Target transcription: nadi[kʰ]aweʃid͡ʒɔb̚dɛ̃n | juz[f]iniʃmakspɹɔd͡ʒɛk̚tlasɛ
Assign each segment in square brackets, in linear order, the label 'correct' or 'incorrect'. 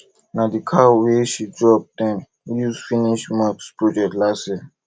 correct, correct

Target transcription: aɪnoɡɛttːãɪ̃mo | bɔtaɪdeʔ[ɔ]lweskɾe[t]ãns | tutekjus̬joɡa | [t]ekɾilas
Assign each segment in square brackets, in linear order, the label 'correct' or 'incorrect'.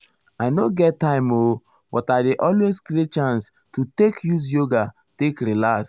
correct, incorrect, correct

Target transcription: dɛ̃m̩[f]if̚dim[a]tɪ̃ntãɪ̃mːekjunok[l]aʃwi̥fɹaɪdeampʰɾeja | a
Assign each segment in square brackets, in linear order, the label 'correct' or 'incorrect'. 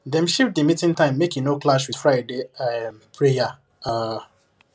incorrect, incorrect, correct

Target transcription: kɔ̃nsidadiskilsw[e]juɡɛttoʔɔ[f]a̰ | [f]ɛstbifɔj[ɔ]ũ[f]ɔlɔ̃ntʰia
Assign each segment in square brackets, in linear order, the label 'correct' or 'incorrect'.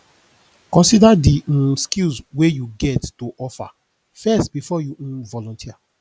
correct, correct, correct, incorrect, incorrect

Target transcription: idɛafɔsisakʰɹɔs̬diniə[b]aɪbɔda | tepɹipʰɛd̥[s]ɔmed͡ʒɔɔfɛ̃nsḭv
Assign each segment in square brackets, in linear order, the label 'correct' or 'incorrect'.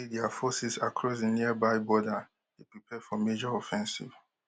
correct, incorrect

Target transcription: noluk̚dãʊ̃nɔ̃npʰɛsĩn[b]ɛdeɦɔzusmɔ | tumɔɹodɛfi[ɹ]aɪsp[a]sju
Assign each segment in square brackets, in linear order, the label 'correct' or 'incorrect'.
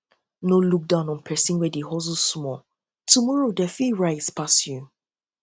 incorrect, correct, correct

